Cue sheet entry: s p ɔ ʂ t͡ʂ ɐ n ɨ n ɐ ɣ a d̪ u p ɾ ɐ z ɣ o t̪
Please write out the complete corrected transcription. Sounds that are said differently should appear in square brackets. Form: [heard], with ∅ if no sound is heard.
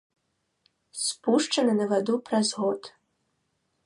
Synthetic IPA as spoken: s p [u] ʂ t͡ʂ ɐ n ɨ n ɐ [v] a d̪ u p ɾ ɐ z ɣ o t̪